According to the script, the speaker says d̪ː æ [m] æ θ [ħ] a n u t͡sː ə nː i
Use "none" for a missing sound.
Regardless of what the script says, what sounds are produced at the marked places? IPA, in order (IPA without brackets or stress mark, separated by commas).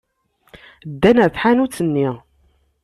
n, ħ